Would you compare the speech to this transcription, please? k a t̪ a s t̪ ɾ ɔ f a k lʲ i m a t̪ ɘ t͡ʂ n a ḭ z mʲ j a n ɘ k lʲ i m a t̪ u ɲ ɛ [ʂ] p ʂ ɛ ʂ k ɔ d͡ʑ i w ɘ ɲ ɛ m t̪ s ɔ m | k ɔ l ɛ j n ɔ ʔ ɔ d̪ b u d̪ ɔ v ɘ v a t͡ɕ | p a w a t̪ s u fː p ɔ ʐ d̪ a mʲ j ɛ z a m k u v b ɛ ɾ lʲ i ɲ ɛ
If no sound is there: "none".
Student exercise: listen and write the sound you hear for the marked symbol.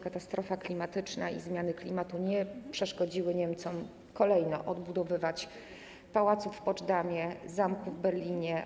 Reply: none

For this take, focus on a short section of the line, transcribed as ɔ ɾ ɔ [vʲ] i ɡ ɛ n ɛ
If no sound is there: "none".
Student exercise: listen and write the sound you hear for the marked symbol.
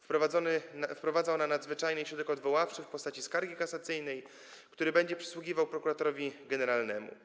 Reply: vʲ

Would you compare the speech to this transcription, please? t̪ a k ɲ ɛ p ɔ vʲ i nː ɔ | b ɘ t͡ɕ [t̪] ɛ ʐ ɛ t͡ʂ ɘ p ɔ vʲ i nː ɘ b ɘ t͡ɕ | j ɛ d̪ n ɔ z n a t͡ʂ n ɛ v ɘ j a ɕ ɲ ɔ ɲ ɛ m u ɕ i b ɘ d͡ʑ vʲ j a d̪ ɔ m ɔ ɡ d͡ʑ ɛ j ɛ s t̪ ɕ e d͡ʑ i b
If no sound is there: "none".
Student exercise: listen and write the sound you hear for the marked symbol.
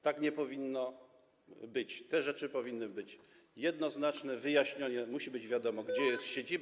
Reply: t̪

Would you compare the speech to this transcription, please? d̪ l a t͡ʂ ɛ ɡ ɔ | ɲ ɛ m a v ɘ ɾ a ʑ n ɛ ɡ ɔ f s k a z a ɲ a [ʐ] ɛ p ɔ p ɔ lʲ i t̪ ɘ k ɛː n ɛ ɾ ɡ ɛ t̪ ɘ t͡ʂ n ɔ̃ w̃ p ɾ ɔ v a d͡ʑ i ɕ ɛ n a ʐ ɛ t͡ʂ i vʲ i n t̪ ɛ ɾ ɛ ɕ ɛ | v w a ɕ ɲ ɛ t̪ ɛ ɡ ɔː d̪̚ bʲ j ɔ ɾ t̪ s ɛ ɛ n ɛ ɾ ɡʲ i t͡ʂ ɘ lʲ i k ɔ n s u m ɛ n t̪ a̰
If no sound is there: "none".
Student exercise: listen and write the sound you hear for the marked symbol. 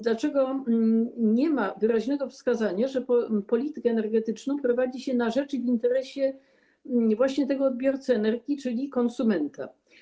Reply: ʐ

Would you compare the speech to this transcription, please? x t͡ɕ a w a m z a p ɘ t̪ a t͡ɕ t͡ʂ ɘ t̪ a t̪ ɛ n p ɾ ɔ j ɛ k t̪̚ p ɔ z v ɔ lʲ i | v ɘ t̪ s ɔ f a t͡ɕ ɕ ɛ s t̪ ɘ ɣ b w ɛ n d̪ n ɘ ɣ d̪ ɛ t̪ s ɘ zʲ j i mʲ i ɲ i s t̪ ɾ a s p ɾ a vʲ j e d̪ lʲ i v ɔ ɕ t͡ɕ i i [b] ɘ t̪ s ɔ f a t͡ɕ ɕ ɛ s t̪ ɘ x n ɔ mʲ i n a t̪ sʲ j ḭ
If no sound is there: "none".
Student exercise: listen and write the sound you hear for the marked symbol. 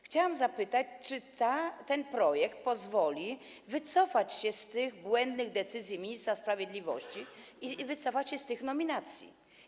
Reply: v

